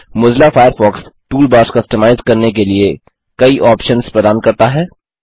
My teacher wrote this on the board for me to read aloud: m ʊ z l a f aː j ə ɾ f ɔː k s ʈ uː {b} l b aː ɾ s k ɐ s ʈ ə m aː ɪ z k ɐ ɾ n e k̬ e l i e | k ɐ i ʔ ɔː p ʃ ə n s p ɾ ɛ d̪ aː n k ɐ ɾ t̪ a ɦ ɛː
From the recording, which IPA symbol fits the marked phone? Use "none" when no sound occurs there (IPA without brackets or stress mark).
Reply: none